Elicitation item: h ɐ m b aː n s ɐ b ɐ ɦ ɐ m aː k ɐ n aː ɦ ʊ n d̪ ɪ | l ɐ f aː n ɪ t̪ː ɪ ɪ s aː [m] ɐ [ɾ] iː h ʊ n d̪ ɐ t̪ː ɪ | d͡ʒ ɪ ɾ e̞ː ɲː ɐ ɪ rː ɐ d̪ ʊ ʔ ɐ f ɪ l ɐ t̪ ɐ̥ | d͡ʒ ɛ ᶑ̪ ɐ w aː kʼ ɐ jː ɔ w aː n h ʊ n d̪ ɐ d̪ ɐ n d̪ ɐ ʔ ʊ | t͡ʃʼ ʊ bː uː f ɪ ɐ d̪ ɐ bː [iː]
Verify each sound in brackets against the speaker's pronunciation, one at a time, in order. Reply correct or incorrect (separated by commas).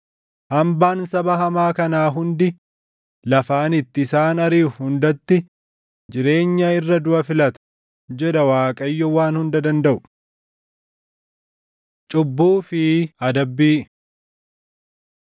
incorrect, correct, correct